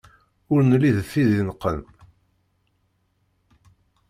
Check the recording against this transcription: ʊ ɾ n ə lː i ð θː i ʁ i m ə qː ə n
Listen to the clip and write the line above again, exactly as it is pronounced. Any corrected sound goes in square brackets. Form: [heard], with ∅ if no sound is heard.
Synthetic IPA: ʊ ɾ n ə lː i ð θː i [ð] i [n] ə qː ə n